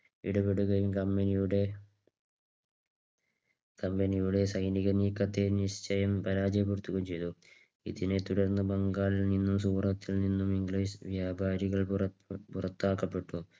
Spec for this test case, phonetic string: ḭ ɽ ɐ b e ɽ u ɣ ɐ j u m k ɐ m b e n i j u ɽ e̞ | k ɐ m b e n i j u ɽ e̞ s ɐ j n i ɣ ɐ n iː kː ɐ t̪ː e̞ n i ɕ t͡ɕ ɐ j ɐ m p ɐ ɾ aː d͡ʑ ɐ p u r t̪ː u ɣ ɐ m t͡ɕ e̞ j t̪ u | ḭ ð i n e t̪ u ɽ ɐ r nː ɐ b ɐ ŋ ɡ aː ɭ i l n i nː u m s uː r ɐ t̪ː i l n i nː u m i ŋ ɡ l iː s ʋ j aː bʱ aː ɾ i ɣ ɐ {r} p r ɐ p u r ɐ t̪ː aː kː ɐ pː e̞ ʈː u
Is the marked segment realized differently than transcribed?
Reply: yes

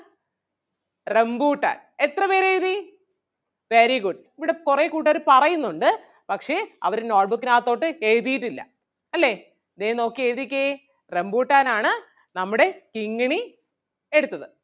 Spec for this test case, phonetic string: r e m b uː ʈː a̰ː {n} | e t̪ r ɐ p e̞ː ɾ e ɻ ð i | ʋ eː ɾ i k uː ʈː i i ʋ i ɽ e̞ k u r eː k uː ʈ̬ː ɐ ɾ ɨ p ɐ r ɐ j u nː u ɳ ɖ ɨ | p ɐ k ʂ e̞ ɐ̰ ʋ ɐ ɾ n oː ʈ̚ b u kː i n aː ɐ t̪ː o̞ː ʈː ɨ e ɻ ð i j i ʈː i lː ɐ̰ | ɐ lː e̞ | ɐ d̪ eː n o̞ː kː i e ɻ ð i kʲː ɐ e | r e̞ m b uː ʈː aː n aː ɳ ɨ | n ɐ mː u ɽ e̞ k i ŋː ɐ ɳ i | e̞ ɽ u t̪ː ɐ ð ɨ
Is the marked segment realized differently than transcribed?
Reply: no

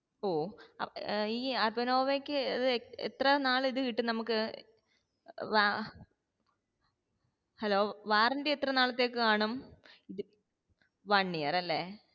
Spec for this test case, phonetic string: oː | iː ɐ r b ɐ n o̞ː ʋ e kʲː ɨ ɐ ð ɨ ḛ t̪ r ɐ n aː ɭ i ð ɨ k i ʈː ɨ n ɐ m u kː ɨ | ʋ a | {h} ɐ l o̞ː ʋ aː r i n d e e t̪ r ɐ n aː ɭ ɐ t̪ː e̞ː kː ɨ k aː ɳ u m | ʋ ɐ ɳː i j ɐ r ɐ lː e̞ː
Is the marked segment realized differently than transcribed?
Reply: no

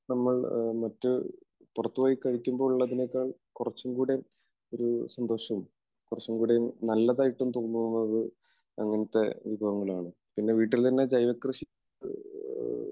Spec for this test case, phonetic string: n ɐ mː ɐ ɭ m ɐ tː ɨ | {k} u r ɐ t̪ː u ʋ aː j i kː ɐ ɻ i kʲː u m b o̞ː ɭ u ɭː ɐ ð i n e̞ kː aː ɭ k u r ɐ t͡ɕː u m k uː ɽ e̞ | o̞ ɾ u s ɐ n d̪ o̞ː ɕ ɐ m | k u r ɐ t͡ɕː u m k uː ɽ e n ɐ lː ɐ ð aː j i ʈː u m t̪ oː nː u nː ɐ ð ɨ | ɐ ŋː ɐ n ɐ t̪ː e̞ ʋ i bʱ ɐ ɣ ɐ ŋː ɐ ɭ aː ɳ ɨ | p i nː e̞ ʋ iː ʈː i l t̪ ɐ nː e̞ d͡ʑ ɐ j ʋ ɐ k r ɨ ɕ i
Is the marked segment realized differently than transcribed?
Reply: yes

